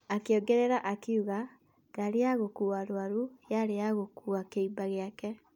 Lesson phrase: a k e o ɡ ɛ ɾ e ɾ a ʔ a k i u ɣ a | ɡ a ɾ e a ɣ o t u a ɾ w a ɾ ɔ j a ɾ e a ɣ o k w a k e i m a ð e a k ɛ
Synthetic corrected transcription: a k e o ɡ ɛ ɾ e ɾ a ʔ a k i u ɣ a | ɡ a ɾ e a ɣ o k u a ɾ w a ɾ u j a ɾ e a ɣ o k u a k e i b a ɣ e a k ɛ